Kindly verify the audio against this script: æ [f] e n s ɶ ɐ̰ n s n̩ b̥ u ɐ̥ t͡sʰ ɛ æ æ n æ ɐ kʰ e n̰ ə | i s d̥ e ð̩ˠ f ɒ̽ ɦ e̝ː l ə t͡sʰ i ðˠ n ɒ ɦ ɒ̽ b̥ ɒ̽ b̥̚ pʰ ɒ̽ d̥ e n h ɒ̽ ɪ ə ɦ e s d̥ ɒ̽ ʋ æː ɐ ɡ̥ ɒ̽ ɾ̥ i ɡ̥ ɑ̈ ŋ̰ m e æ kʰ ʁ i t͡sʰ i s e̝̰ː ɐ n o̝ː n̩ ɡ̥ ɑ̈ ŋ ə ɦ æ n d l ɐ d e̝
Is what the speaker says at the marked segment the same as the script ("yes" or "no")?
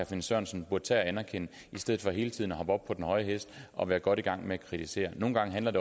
yes